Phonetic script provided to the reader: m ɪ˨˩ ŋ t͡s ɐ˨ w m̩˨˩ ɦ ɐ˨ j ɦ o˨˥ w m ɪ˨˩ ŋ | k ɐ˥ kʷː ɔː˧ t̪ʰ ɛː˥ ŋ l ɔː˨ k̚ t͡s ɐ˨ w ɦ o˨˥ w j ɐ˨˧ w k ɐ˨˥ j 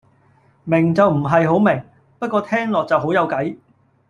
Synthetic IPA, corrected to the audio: m ɪ˨˩ ŋ t͡s ɐ˨ w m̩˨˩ ɦ ɐ˨ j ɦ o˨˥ w m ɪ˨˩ ŋ | p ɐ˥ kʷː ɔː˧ t̪ʰ ɛː˥ ŋ l ɔː˨ k̚ t͡s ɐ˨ w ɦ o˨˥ w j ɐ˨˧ w k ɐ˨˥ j